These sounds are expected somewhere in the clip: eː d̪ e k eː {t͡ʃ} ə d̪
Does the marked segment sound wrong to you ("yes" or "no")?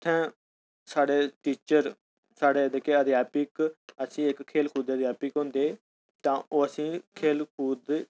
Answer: yes